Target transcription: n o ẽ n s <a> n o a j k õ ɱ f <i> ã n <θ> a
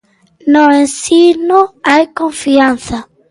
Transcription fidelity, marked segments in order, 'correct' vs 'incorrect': incorrect: i, correct, correct

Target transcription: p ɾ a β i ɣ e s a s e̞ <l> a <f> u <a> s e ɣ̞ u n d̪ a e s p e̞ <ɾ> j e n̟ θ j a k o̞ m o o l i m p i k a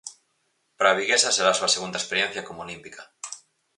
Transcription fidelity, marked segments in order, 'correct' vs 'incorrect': incorrect: ɾ, incorrect: s, correct, correct

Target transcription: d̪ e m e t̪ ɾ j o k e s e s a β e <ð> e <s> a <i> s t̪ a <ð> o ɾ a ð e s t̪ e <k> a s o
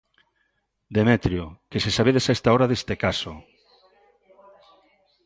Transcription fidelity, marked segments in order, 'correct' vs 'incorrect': correct, correct, incorrect: e, incorrect: none, correct

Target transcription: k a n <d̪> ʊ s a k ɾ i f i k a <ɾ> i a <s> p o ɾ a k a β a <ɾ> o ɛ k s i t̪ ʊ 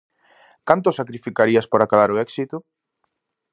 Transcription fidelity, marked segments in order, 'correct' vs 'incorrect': incorrect: t̪, correct, correct, correct

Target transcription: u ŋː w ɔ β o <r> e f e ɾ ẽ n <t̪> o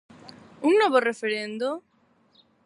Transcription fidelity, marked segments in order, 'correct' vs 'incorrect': correct, incorrect: d̪

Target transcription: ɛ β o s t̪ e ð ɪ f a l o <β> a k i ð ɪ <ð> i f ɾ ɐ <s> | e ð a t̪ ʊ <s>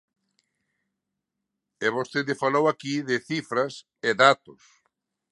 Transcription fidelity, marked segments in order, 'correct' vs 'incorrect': incorrect: w, incorrect: θ, correct, correct

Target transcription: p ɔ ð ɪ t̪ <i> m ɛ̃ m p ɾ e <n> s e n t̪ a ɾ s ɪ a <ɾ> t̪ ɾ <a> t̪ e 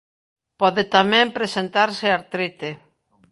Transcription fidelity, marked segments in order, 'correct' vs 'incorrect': incorrect: a, incorrect: none, correct, incorrect: i

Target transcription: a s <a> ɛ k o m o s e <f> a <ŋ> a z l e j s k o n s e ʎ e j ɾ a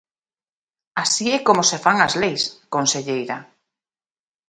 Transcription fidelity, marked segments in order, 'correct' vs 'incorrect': incorrect: i, correct, correct

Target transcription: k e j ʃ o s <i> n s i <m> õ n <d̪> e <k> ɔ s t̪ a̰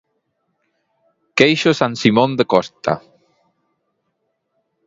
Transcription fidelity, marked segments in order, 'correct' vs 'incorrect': incorrect: a, correct, correct, correct

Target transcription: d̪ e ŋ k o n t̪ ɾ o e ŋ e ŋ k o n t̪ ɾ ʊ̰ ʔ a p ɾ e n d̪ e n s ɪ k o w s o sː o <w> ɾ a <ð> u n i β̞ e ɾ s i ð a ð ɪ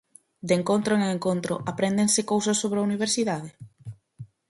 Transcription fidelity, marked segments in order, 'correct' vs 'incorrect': incorrect: β, incorrect: none

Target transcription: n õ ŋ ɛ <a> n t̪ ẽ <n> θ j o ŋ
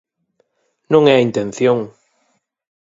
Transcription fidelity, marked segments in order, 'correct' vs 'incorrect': incorrect: i, correct

